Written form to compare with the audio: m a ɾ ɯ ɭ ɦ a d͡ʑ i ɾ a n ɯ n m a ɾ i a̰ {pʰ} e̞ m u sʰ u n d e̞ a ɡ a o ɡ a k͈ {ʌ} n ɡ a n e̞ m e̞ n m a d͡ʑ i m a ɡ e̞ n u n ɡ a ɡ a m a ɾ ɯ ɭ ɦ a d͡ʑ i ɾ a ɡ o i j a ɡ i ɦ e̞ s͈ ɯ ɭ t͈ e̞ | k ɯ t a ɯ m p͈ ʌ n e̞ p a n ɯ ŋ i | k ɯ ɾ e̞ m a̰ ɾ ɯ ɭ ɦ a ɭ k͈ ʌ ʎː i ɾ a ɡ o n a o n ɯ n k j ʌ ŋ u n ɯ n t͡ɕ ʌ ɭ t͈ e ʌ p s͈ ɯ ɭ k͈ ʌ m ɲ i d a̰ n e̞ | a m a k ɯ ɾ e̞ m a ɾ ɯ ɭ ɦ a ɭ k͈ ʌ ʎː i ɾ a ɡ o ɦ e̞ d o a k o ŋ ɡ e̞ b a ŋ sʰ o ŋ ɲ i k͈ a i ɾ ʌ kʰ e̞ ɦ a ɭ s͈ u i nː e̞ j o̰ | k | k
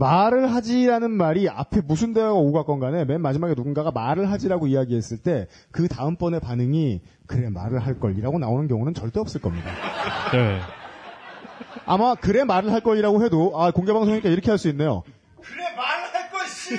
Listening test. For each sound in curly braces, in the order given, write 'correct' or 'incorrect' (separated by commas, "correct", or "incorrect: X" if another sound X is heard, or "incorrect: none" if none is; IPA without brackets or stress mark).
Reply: correct, correct